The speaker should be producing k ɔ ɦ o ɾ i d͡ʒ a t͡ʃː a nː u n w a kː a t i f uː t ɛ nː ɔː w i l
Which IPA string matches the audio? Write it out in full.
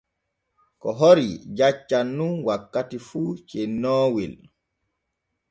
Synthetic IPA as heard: k ɔ ɦ o ɾ i d͡ʒ a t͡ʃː a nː u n w a kː a t i f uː t͡ʃ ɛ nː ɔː w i l